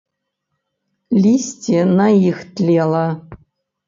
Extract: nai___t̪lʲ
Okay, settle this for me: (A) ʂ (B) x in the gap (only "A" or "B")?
B